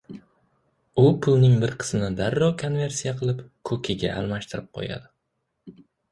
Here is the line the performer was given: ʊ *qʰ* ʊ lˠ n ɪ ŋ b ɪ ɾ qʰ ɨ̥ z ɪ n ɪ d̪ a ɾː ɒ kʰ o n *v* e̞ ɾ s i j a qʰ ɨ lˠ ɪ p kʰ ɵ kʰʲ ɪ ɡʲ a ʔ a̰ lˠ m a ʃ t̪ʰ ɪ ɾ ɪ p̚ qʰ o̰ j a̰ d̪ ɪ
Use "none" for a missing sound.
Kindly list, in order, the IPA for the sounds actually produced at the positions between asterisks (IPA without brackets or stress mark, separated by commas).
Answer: pʰ, v